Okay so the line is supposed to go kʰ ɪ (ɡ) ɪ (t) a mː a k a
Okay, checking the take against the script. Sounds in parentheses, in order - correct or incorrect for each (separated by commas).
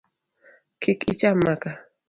incorrect, incorrect